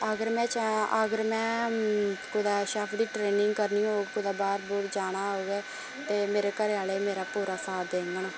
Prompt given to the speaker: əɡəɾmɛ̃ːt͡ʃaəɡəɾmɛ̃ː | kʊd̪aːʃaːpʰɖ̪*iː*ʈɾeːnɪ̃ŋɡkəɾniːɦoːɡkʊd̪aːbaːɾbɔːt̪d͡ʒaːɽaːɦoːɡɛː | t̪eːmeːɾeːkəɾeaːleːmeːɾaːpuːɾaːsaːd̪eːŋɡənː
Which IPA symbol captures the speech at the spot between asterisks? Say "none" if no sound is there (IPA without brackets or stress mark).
iː